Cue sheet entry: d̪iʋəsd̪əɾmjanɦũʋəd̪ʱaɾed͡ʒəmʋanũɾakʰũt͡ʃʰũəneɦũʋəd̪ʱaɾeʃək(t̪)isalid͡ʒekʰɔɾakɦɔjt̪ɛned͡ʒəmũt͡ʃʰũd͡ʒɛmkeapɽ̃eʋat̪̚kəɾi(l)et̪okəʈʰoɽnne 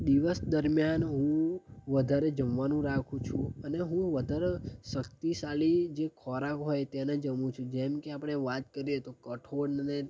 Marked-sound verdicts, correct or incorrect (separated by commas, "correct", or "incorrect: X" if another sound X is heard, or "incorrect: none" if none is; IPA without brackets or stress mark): correct, incorrect: none